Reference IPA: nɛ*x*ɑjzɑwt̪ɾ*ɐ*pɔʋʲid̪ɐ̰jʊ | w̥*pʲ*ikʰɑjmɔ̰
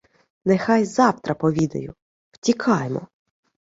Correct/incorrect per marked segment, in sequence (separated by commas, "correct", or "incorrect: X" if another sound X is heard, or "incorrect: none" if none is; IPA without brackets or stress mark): correct, correct, incorrect: tʲ